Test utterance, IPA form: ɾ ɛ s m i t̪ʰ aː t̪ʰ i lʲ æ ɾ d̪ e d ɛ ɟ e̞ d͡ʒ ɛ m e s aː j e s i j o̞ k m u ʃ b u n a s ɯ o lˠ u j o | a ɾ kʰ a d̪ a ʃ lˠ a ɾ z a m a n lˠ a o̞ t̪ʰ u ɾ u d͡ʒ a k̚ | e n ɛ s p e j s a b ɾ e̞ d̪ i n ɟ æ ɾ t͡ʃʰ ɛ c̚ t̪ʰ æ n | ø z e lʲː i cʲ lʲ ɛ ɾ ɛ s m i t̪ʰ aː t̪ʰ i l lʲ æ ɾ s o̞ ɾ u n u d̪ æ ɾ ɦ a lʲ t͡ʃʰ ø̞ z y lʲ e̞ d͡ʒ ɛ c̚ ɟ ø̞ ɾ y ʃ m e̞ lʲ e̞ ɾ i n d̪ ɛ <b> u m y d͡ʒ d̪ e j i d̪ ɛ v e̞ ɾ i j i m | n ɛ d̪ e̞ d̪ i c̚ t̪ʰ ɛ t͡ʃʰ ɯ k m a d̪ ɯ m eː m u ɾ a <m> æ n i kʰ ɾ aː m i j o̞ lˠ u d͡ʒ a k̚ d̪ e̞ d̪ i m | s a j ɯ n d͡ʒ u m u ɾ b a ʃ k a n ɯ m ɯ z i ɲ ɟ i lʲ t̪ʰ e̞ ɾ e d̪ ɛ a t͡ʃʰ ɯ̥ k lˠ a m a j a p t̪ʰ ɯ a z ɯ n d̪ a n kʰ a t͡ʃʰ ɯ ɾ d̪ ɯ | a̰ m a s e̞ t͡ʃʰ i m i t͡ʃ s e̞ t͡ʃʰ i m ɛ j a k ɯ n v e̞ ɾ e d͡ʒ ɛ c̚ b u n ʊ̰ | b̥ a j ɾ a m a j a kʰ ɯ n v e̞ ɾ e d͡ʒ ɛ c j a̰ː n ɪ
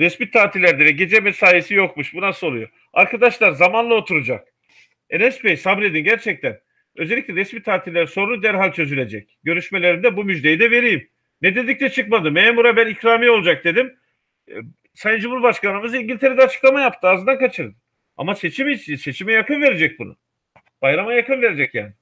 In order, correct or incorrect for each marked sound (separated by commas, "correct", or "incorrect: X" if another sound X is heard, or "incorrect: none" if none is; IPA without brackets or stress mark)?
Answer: correct, incorrect: b